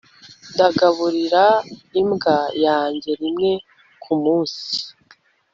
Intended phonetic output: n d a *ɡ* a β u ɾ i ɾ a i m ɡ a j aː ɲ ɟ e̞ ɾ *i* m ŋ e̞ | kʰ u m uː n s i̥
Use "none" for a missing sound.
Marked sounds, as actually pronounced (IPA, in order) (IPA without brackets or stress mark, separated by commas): ɡ, i